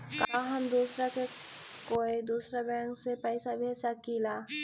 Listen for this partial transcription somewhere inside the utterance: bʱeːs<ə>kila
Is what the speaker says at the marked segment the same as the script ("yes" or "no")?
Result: no